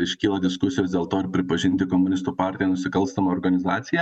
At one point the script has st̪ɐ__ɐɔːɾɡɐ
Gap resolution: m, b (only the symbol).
m